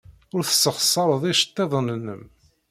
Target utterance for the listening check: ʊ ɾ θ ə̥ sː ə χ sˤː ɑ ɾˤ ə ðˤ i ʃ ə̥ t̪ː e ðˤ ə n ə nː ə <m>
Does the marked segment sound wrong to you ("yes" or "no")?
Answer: no